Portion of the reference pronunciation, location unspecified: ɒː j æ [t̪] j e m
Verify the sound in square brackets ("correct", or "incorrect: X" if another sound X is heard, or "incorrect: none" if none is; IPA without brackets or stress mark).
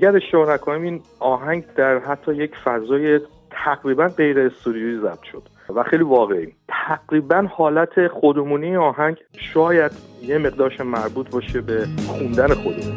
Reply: incorrect: d̪